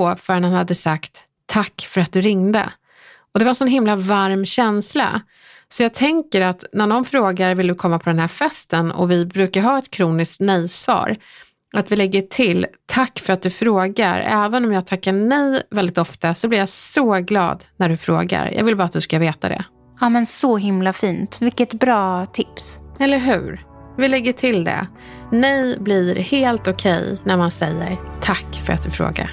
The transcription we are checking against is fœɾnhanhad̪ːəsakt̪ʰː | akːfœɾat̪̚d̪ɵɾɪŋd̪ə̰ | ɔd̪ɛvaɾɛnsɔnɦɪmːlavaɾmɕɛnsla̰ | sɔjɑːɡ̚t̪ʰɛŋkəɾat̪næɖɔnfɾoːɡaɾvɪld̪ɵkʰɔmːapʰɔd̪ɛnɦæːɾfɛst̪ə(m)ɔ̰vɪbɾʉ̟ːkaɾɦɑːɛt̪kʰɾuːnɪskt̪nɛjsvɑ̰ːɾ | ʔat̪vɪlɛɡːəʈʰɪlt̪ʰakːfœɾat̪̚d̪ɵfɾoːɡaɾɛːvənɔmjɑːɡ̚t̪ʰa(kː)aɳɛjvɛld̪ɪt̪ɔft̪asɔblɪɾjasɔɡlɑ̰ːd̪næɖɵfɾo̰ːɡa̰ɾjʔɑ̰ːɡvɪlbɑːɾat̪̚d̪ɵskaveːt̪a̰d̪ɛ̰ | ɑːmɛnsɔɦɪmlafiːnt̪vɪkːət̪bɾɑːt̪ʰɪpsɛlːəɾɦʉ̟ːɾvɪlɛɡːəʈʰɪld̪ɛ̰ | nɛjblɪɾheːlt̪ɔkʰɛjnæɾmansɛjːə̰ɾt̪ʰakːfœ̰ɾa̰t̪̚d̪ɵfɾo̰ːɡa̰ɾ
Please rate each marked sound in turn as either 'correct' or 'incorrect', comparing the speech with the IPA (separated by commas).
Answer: incorrect, correct